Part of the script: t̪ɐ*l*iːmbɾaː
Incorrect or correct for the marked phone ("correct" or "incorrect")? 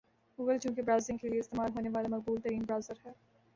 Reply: incorrect